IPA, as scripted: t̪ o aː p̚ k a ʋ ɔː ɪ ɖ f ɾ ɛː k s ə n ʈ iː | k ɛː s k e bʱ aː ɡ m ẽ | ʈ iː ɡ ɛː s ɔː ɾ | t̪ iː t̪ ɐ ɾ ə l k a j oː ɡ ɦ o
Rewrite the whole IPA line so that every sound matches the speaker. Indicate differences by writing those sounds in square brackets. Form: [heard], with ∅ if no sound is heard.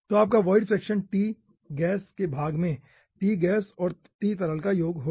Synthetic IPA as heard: t̪ o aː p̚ k a ʋ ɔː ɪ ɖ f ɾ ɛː k [ʃ] ə n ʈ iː | [ɡ] ɛː s k e bʱ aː ɡ m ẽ | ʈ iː ɡ ɛː s ɔː ɾ | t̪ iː t̪ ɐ ɾ ə l k a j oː ɡ ɦ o

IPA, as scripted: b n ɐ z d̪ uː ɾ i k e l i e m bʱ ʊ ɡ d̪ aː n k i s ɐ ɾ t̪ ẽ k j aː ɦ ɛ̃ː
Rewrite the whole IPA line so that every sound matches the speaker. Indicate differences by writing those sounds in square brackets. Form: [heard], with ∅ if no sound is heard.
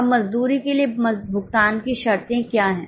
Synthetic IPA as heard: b [m] ɐ z d̪ uː ɾ i k e l i e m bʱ ʊ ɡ [t̪] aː n k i [ʃ] ɐ ɾ t̪ ẽ k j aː ɦ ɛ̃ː

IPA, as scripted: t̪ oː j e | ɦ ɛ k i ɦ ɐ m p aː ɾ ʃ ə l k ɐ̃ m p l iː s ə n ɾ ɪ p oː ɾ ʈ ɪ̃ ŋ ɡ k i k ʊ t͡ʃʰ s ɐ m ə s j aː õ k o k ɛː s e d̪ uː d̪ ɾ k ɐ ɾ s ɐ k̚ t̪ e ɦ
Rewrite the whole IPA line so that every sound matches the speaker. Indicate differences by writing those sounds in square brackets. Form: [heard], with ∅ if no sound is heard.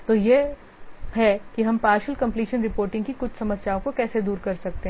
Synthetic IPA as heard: t̪ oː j e | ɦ ɛ k i ɦ ɐ m p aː ɾ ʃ ə l k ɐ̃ m p l iː [ʃ] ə n ɾ ɪ p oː ɾ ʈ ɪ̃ ŋ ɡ k i k ʊ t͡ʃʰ s ɐ m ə s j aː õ k o k ɛː s e d̪ uː [∅] ɾ k ɐ ɾ s ɐ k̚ t̪ e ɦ

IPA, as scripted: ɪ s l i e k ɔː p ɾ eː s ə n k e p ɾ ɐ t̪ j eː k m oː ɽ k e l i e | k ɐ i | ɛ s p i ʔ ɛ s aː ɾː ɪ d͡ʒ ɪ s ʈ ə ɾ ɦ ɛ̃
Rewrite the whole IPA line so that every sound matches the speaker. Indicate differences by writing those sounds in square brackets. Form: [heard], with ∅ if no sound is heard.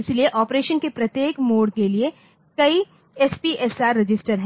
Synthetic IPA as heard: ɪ s l i e [ʔ] ɔː p ɾ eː [ʃ] ə n k e p ɾ ɐ t̪ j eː k m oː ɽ k e l i e | k ɐ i | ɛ s p i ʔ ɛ s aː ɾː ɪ d͡ʒ ɪ s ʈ ə ɾ ɦ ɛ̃

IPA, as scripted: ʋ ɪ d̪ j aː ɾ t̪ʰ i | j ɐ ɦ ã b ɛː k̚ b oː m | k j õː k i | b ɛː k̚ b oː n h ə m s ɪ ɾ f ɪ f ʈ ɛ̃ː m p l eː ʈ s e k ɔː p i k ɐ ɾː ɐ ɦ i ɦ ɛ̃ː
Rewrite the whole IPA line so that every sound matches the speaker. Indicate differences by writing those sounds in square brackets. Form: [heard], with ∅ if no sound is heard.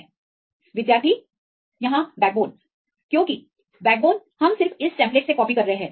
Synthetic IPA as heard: ʋ ɪ d̪ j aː ɾ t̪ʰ i | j ɐ ɦ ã b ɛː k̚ b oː [n] | k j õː k i | b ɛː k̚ b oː n h [ɐ] m s ɪ ɾ f ɪ [s] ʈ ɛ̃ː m p l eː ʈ s e k ɔː p i k ɐ ɾː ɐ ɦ [e] ɦ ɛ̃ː

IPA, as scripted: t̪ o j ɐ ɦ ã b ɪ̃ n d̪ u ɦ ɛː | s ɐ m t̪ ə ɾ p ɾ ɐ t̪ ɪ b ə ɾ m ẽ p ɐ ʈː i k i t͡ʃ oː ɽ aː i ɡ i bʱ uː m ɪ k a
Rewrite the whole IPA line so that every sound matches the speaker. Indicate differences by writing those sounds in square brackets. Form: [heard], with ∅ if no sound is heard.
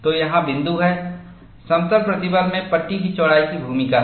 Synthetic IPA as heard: t̪ o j ɐ ɦ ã b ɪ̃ n d̪ u ɦ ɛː | s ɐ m t̪ ə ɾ p ɾ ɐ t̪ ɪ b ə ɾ m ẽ p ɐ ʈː i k i t͡ʃ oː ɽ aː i [k] i bʱ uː m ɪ k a

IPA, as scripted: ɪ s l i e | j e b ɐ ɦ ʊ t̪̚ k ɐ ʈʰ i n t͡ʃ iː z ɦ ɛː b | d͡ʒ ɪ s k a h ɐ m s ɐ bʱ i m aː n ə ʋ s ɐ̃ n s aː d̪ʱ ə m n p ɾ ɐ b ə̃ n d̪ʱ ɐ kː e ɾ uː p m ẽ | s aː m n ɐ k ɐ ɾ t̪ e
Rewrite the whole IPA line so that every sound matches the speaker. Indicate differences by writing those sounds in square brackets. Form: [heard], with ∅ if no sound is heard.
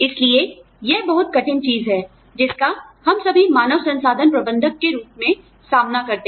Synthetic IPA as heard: ɪ s l i e | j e b ɐ ɦ ʊ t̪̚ k ɐ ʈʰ [ɪ] n t͡ʃ iː z ɦ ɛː [∅] | d͡ʒ ɪ s k a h ɐ m s ɐ bʱ i m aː n ə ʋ s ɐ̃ n s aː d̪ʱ ə [∅] n p ɾ ɐ b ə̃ n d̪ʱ [ə] kː e ɾ uː p m ẽ | s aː m n [a] k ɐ ɾ t̪ e

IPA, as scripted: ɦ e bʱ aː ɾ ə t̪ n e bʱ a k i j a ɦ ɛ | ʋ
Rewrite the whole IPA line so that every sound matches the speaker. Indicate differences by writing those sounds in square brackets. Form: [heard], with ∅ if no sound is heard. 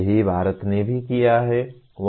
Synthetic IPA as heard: ɦ [i] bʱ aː ɾ ə t̪ n e bʱ [i] k i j a ɦ ɛ | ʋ

